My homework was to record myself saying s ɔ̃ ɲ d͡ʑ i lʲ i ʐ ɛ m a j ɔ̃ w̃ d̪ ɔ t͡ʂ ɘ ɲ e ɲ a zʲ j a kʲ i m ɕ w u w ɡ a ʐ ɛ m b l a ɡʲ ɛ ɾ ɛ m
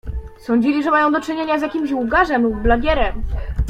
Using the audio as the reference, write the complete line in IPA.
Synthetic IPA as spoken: s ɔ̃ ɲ d͡ʑ i lʲ i ʐ ɛ m a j ɔ̃ w̃ d̪ ɔ t͡ʂ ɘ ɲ e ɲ a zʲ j a kʲ i m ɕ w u ɡ a ʐ ɛ m b l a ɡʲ ɛ ɾ ɛ m